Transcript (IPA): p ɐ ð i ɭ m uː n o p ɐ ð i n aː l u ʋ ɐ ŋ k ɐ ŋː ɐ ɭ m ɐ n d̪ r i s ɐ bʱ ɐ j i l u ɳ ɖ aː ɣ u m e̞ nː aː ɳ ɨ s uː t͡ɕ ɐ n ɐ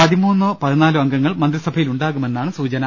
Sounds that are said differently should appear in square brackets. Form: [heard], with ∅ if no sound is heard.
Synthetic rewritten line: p ɐ ð i [∅] m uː [nː] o p ɐ ð i n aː l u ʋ ɐ ŋ [ɡ] ɐ ŋː ɐ ɭ m ɐ n d̪ r i s ɐ bʱ ɐ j i l u ɳ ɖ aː ɣ u m e̞ nː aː ɳ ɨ s uː t͡ɕ ɐ n ɐ